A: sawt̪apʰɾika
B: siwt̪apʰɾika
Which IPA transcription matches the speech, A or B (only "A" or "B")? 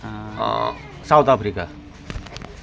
A